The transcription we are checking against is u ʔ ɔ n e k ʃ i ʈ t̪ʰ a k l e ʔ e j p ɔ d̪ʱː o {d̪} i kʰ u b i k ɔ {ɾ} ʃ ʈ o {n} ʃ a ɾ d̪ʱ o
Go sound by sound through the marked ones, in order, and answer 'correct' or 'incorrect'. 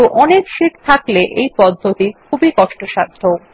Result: incorrect, incorrect, incorrect

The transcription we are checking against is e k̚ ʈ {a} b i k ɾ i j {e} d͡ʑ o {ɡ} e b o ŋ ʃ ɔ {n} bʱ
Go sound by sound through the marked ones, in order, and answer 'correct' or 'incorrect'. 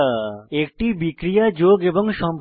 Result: incorrect, incorrect, correct, incorrect

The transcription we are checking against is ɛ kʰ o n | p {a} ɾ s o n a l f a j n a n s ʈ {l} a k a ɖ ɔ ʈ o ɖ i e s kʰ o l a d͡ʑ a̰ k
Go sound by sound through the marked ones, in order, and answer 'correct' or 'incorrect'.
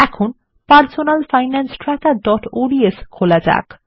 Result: correct, incorrect

